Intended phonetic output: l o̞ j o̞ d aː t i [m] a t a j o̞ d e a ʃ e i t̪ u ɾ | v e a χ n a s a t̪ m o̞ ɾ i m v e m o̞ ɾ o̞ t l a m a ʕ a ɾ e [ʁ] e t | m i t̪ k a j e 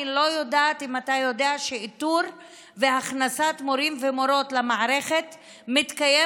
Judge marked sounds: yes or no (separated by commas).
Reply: yes, no